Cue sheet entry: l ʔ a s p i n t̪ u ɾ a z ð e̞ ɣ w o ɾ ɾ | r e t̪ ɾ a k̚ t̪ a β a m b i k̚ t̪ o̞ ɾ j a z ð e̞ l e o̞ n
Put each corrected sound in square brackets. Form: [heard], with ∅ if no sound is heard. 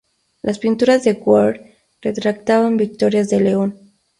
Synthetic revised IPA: l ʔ a s p i n t̪ u ɾ a z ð e̞ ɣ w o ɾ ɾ | r e t̪ ɾ a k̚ t̪ a β a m b i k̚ t̪ o̞ ɾ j a z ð e̞ l e o̞ n